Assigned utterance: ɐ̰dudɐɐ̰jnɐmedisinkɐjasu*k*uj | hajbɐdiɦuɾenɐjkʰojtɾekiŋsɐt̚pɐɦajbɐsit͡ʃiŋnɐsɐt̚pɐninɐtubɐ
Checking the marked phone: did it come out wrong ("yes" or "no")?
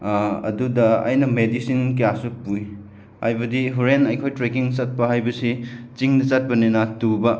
yes